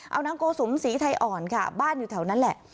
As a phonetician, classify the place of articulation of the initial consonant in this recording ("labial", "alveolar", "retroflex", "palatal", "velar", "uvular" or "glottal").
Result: glottal